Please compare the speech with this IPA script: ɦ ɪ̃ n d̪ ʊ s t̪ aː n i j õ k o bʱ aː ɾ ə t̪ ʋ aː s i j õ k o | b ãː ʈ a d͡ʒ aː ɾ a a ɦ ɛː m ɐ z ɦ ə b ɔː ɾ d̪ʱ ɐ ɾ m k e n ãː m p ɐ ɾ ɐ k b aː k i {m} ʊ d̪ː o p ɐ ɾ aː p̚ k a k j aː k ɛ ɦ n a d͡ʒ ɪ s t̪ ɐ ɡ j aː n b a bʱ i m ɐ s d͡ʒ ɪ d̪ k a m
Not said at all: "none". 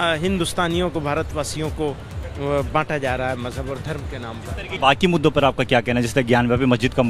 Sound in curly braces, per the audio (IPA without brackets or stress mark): m